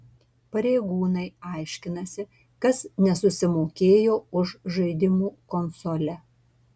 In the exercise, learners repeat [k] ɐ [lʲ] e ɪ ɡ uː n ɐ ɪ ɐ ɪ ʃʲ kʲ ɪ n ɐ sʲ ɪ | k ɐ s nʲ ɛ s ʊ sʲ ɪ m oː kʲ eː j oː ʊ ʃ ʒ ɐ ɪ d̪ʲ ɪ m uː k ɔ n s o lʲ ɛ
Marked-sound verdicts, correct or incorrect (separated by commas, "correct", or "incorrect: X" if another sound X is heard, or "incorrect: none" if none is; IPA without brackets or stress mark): incorrect: p, incorrect: ɾʲ